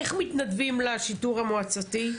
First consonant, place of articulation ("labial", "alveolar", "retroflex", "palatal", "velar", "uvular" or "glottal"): uvular